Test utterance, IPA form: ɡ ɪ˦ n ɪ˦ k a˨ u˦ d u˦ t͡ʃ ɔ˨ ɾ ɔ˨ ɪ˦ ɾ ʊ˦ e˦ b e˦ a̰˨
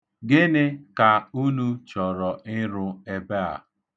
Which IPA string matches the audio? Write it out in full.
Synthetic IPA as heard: ɡ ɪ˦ n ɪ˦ k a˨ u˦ n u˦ t͡ʃ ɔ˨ ɾ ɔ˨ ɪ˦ ɾ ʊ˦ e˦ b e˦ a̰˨

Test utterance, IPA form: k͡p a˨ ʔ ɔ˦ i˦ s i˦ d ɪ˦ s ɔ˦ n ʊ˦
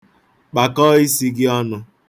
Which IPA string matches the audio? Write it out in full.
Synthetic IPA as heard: k͡p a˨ k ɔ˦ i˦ s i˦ ɡ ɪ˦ ɔ˦ n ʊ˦

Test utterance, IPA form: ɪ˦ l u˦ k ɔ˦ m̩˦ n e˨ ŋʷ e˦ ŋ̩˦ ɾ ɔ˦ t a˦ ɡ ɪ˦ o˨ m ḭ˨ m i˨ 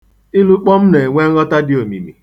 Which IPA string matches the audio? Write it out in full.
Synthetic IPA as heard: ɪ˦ l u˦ k͡p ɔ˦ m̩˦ n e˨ ŋʷ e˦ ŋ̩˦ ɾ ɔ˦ t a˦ d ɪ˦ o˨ m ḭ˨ m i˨

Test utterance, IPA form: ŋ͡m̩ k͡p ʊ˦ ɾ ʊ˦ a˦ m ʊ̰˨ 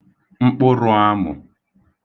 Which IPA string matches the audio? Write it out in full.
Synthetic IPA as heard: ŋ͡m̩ k͡p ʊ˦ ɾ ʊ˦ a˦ m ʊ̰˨

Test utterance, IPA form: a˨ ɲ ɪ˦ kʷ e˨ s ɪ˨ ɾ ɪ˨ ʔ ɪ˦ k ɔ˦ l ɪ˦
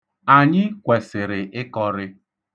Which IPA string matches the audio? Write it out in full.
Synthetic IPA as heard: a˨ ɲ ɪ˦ kʷ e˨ s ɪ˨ ɾ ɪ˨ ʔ ɪ˦ k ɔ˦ ɾ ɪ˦

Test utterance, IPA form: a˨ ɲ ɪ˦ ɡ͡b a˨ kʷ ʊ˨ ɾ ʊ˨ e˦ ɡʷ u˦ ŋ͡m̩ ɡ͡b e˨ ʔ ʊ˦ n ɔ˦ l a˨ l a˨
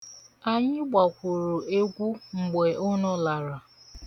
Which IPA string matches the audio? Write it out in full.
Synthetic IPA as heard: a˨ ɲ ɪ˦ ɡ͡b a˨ kʷ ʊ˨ ɾ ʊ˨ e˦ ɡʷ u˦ ŋ͡m̩ ɡ͡b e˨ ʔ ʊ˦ n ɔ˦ l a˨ ɾ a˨

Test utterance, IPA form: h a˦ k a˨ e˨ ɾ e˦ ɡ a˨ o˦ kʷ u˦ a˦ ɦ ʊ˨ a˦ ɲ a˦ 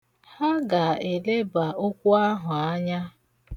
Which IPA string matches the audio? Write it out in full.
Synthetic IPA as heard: h a˦ ɡ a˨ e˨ l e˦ b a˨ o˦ kʷ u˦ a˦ ɦ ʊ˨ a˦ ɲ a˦

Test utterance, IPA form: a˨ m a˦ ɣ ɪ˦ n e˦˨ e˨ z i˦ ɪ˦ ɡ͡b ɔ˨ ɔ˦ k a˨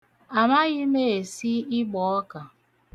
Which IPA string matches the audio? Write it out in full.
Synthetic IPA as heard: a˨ m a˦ ɣ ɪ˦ m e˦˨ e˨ s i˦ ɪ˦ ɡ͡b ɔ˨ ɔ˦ k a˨

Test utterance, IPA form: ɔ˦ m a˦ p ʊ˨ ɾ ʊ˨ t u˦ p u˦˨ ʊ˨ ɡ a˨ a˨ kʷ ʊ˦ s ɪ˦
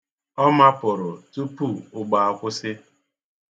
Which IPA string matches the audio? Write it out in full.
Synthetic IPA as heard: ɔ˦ m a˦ p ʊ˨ ɾ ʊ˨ t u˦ p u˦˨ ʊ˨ ɡ͡b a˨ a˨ kʷ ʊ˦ s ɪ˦

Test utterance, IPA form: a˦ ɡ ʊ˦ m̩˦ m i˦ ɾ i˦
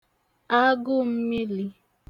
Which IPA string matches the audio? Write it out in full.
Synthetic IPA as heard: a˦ ɡ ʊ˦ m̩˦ m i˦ l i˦

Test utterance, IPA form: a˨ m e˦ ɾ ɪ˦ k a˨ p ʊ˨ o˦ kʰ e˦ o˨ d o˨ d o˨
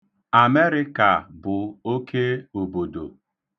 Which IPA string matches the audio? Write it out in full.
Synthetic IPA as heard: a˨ m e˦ ɾ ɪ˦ k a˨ b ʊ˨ o˦ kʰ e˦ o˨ b o˨ d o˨

